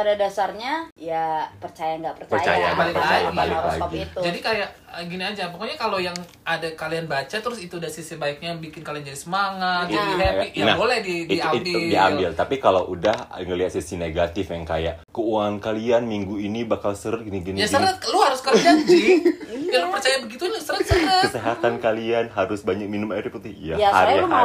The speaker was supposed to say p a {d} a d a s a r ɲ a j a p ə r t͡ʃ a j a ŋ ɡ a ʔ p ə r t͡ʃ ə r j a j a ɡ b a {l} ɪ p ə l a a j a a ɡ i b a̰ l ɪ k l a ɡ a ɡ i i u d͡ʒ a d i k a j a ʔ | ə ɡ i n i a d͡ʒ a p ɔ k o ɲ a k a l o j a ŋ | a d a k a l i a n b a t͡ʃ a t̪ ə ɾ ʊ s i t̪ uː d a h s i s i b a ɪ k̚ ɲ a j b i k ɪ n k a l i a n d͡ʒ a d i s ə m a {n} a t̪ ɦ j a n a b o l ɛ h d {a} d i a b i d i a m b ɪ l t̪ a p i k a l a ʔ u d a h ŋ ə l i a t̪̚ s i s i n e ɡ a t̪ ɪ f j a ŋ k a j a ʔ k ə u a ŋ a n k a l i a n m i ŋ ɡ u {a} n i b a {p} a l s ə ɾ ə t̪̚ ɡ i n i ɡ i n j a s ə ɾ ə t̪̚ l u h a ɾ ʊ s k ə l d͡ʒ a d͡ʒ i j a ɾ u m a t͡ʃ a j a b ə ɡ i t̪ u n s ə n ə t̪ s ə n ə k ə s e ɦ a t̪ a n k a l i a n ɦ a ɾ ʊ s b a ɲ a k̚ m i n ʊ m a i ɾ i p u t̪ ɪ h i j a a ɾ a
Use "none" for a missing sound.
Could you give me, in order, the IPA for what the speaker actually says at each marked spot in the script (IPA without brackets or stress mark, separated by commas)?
d, l, ŋ, i, i, k